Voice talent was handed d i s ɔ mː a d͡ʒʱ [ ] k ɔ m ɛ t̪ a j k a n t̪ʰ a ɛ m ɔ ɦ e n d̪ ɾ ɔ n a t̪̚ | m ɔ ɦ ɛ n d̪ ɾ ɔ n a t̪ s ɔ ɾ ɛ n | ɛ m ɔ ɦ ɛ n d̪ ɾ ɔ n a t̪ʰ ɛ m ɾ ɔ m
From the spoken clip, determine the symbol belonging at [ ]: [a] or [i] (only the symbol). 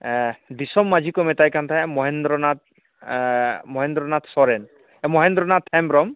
i